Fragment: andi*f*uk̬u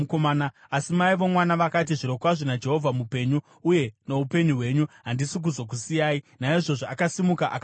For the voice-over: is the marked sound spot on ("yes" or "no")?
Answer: no